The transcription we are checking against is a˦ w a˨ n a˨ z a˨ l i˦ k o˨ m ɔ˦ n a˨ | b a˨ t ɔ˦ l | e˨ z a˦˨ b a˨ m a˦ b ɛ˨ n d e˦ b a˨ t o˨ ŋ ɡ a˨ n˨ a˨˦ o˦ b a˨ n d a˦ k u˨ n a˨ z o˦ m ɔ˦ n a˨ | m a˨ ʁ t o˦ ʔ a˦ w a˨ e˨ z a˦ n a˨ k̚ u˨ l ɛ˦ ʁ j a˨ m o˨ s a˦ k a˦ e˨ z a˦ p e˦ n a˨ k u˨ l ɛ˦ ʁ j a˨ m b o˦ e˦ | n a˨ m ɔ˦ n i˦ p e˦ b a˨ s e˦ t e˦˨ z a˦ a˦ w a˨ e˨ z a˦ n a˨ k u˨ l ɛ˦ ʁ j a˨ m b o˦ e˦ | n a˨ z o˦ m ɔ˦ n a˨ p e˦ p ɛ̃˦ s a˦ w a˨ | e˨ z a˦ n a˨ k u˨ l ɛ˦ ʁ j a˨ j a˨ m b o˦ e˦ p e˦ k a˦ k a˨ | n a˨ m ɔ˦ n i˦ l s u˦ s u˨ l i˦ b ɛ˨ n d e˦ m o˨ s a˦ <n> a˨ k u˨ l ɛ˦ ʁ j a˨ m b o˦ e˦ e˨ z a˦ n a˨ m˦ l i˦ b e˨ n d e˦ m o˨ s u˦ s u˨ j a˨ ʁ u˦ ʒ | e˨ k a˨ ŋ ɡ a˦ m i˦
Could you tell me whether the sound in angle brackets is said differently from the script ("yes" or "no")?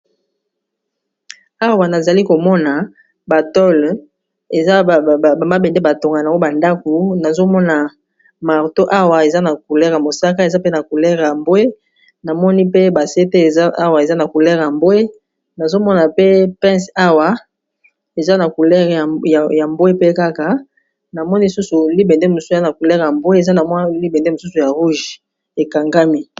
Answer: no